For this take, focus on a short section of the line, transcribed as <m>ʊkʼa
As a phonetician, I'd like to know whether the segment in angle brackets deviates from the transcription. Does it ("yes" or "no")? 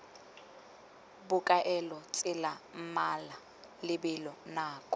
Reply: yes